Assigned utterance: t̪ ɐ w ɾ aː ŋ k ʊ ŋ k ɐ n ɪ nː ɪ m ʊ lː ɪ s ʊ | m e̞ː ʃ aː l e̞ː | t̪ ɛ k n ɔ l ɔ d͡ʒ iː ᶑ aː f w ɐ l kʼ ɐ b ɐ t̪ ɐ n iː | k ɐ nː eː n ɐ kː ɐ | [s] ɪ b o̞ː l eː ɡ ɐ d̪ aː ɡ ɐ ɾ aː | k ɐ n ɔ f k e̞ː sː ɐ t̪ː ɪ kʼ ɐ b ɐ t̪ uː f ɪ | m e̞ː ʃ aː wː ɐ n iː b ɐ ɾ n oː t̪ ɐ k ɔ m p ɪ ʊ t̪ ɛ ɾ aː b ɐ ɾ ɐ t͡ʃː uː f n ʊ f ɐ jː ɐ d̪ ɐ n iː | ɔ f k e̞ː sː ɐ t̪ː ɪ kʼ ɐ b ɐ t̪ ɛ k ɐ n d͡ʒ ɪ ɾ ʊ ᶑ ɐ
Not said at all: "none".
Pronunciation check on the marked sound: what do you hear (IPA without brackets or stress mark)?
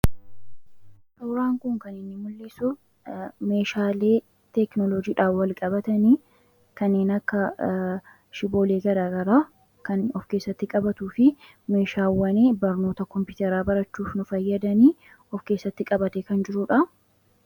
ʃ